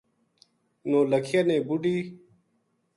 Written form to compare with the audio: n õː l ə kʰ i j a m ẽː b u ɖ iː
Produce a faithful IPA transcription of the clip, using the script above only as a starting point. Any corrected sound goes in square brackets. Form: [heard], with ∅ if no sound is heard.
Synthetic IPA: n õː l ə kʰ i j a [n] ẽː b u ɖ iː